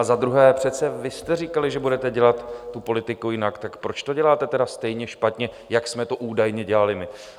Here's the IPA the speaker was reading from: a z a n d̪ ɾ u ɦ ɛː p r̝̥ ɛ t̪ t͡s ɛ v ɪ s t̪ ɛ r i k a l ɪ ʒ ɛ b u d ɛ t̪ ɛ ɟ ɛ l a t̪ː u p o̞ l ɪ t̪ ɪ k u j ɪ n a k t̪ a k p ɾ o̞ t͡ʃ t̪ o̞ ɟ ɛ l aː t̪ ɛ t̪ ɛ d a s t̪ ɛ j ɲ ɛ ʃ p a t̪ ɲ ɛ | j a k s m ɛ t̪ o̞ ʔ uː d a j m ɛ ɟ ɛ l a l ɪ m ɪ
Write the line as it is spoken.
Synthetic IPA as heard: a z a d̪ ɾ u ɦ ɛː p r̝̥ ɛ t̪ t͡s ɛ v ɪ s t̪ ɛ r i k a l ɪ ʒ ɛ b u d ɛ t̪ ɛ ɟ ɛ l a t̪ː u p o̞ l ɪ t̪ ɪ k u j ɪ n a k t̪ a k p ɾ o̞ t͡ʃ t̪ o̞ ɟ ɛ l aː t̪ ɛ t̪ ɛ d a s t̪ ɛ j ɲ ɛ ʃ p a t̪ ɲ ɛ | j a k s m ɛ t̪ o̞ ʔ uː d a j ɲ ɛ ɟ ɛ l a l ɪ m ɪ